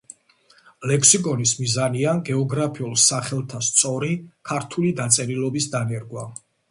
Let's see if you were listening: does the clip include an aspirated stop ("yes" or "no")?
yes